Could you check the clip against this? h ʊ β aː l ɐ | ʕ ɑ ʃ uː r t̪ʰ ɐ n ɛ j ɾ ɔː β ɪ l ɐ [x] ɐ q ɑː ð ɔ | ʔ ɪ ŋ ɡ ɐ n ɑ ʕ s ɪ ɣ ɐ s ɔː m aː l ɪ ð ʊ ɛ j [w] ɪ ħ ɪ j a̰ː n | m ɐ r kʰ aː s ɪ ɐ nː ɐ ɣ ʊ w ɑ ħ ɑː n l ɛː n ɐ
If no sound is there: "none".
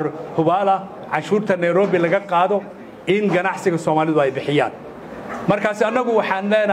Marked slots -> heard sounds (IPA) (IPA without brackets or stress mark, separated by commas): ɣ, b